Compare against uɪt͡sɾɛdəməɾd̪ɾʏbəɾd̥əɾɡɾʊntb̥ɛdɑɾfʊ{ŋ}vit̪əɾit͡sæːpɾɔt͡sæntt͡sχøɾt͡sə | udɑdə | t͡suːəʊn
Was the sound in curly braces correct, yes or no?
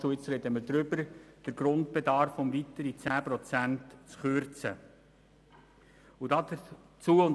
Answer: no